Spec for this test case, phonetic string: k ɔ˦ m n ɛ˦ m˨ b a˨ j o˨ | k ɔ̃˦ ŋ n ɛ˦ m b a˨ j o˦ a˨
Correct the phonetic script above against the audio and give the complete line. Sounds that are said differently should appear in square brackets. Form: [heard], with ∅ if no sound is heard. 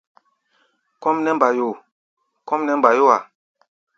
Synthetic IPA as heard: k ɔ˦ m n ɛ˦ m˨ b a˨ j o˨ | k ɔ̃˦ [m] n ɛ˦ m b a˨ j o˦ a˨